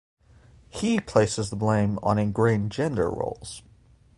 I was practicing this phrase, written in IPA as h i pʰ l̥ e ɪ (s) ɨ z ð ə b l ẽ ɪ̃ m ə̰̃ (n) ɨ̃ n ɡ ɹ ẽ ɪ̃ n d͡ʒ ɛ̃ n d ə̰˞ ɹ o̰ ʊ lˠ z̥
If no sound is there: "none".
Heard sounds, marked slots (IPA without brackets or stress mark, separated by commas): s, n